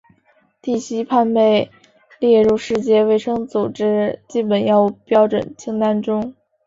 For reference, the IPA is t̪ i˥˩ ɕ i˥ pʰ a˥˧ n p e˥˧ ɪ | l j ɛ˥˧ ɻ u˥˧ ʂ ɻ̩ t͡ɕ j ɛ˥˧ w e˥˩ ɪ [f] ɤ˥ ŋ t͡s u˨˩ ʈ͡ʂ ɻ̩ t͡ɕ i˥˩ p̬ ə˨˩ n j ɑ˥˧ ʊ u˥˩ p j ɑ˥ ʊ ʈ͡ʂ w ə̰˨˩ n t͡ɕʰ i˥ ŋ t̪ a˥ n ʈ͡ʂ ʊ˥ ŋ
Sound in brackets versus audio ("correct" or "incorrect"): incorrect